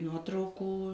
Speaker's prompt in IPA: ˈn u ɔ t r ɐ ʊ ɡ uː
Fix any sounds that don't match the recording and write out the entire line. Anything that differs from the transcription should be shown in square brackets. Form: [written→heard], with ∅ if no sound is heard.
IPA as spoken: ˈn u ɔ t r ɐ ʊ [ɡ→k] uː